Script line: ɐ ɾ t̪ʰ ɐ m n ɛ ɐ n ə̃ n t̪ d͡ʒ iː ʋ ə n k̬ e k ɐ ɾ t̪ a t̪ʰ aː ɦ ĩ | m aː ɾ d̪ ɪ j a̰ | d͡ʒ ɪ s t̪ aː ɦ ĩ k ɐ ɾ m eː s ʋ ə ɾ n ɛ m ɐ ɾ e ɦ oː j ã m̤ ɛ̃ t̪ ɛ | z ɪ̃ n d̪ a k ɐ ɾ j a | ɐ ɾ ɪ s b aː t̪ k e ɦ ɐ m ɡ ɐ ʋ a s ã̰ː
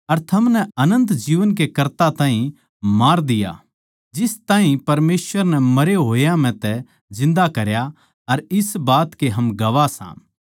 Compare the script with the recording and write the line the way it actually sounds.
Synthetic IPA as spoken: ɐ ɾ t̪ʰ ɐ m n ɛ ɐ n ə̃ n t̪ d͡ʒ iː ʋ ə n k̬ e k ɐ ɾ t̪ a t̪ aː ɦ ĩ | m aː ɾ d̪ ɪ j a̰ | d͡ʒ ɪ s t̪ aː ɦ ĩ p ɐ ɾ m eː s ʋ ə ɾ n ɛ m ɐ ɾ e ɦ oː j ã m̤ ɛ̃ t̪ ɛ | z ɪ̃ n d̪ a k ɐ ɾ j a | ɐ ɾ ɪ s b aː t̪ k e ɦ ɐ m ɡ ɐ ʋ a s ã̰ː

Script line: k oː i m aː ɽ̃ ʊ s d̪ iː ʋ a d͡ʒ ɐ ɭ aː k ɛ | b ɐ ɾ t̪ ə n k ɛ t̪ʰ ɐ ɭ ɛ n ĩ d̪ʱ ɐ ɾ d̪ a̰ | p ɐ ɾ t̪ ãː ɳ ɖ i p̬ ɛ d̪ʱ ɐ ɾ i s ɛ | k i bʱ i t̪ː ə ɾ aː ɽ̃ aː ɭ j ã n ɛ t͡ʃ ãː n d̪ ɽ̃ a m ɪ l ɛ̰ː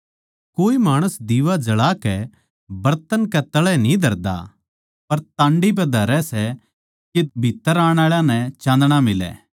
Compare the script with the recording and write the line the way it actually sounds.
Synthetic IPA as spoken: k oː i m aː ɽ̃ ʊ s d̪ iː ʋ a d͡ʒ ɐ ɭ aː k ɛ | b ɐ ɾ t̪ ə n k ɛ t̪ ɐ ɭ ɛ n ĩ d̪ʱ ɐ ɾ d̪ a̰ | p ɐ ɾ t̪ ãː ɳ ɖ i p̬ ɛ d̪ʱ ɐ ɾ ɛ s ɛ | k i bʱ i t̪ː ə ɾ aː ɽ̃ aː ɭ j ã n ɛ t͡ʃ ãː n d̪ ɽ̃ a m ɪ l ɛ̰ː

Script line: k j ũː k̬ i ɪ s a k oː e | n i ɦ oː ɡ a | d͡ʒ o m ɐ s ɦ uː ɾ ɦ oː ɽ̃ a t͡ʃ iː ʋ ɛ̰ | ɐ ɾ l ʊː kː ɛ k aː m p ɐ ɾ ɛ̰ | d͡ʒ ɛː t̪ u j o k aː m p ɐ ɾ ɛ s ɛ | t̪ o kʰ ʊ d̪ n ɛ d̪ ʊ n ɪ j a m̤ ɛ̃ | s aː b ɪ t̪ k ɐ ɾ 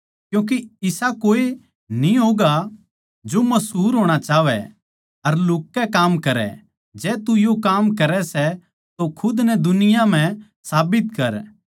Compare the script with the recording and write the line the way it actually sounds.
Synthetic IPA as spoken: k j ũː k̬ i ɪ s a k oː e | n i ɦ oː ɡ a | d͡ʒ o m ɐ s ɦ uː ɾ ɦ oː ɽ̃ a t͡ʃ aː ʋ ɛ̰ | ɐ ɾ l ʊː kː ɛ k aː m k ɐ ɾ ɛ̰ | d͡ʒ ɛː t̪ u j o k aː m k ɐ ɾ ɛ s ɛ | t̪ o kʰ ʊ d̪ n ɛ d̪ ʊ n ɪ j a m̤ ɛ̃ | s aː b ɪ t̪ k ɐ ɾ

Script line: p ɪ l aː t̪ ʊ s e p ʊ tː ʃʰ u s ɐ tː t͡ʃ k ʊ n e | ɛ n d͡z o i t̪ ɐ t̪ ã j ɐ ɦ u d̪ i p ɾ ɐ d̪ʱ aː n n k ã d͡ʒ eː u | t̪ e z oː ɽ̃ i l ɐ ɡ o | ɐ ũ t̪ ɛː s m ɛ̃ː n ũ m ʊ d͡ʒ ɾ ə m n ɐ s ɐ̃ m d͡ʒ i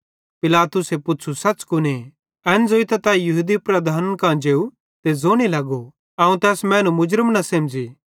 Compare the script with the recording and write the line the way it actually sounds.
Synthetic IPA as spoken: p ɪ l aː t̪ ʊ s e p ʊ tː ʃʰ u s ɐ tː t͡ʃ k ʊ n e | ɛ n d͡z o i t̪ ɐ t̪ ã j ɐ ɦ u d̪ i p ɾ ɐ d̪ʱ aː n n k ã d͡ʒ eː u | t̪ e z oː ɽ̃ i l ɐ ɡ o | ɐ ũ t̪ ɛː s m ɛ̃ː n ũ m ʊ d͡ʒ ɾ ə m n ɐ s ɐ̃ m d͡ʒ i

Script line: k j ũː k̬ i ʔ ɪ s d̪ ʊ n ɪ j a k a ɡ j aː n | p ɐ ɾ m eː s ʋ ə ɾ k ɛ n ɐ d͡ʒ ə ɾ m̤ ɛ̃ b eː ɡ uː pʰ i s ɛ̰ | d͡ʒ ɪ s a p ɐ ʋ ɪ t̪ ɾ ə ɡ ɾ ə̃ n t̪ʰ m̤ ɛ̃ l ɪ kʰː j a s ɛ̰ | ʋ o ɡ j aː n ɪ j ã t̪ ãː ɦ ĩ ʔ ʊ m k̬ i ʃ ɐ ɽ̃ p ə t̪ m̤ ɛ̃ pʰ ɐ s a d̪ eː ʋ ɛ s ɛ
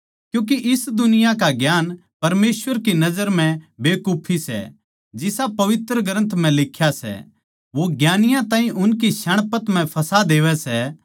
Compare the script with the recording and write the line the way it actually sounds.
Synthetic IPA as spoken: k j ũː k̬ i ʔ ɪ s d̪ ʊ n ɪ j a k a ɡ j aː n | p ɐ ɾ m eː s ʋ ə ɾ k i n ɐ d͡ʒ ə ɾ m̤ ɛ̃ b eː k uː pʰ i s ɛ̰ | d͡ʒ ɪ s a p ɐ ʋ ɪ t̪ ɾ ə ɡ ɾ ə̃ n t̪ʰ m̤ ɛ̃ l ɪ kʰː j a s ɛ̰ | ʋ o ɡ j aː n ɪ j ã t̪ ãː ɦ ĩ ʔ ʊ n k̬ i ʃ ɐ ɽ̃ p ə t̪ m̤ ɛ̃ pʰ ɐ s a d̪ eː ʋ ɛ s ɛ

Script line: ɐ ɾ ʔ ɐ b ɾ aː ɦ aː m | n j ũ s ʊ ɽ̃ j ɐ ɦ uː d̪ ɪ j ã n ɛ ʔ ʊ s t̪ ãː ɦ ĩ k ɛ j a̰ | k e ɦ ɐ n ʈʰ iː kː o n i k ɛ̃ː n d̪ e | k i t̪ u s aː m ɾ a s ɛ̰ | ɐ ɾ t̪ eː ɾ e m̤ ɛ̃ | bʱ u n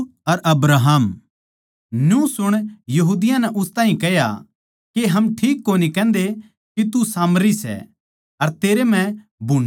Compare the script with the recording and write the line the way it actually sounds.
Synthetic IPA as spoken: ɐ ɾ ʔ ɐ b ɾ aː ɦ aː m | n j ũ s ʊ ɽ̃ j ɐ ɦ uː d̪ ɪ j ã n ɛ ʔ ʊ s t̪ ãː ɦ ĩ k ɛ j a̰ | k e ɦ ɐ m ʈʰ iː kː o n i k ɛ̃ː n d̪ e | k i t̪ u s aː m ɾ i s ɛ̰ | ɐ ɾ t̪ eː ɾ e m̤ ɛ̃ | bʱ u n

